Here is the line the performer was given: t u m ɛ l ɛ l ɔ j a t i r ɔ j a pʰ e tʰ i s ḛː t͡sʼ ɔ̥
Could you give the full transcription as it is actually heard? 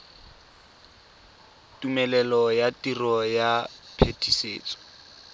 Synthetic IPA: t u m ɛ l ɛ l ɔ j a t i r ɔ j a pʰ e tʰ i s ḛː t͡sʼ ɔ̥